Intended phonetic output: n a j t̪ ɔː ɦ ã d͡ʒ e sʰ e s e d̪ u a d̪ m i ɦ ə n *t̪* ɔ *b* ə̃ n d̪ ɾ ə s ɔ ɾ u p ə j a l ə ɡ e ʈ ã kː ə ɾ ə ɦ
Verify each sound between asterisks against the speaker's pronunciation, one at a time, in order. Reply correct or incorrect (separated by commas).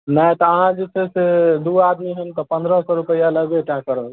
correct, incorrect